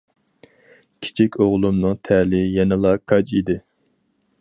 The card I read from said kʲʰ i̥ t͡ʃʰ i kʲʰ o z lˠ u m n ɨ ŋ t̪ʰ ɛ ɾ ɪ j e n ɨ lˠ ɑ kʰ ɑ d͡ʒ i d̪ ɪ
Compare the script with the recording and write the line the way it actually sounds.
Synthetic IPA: kʲʰ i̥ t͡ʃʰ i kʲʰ o ʁ lˠ u m n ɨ ŋ t̪ʰ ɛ l ɪ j ɛ n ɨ lˠ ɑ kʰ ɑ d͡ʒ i d̪ ɪ